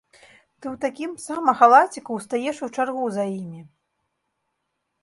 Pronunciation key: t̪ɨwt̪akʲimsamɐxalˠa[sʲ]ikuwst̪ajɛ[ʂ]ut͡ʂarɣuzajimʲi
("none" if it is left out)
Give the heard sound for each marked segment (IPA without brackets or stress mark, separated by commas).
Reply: t͡sʲ, ʂ